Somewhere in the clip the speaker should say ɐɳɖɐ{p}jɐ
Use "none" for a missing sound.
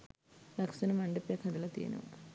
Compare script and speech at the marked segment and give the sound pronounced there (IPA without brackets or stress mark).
p